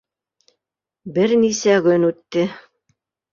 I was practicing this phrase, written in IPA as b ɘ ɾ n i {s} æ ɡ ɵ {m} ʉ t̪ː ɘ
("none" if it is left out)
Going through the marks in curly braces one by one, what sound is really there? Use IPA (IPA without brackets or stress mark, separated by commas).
s, n